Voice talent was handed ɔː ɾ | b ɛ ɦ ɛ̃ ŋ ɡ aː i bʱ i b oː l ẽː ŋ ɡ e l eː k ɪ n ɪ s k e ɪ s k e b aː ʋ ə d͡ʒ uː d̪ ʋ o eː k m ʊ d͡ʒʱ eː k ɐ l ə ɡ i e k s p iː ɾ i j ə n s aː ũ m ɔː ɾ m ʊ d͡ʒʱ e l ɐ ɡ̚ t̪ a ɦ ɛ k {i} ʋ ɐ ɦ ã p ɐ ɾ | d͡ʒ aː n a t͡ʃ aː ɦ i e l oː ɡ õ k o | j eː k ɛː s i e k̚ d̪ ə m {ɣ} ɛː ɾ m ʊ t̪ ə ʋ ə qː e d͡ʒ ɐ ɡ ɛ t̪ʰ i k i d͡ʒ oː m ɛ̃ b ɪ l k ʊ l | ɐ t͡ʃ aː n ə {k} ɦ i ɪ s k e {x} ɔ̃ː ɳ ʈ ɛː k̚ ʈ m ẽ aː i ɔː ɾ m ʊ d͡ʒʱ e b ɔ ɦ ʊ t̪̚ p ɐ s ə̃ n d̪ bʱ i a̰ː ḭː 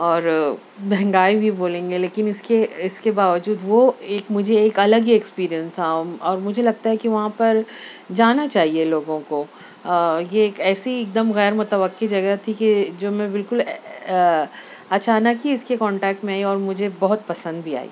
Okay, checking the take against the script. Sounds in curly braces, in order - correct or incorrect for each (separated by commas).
correct, correct, correct, incorrect